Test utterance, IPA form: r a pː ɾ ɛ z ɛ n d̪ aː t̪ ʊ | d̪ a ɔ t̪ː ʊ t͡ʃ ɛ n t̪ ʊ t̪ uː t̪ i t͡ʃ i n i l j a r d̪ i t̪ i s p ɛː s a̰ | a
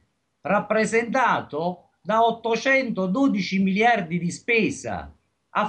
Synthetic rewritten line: r a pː ɾ ɛ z ɛ n t̪ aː t̪ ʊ | d̪ a ɔ t̪ː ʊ t͡ʃ ɛ n t̪ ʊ d̪ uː d̪ i t͡ʃ i m i l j a r d̪ i d̪ i s p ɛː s a̰ | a